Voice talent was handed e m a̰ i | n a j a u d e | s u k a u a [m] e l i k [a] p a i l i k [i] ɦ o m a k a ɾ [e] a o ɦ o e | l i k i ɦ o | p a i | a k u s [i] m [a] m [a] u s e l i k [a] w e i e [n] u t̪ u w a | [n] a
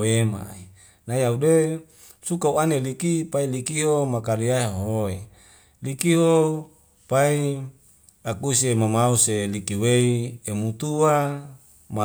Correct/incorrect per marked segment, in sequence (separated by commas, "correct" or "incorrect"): incorrect, incorrect, correct, incorrect, incorrect, correct, correct, incorrect, incorrect, incorrect